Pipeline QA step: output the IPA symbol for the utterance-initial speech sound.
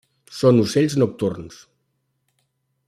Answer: s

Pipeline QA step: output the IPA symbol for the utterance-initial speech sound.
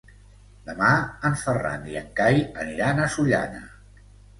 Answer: d̪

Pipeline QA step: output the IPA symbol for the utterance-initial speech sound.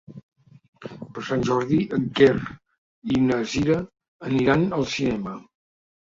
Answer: p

